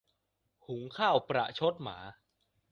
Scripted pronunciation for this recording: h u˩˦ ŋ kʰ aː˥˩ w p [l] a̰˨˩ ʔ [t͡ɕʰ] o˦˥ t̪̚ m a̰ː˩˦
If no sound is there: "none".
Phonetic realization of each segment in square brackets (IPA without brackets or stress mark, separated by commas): ɾ, t͡ɕʰ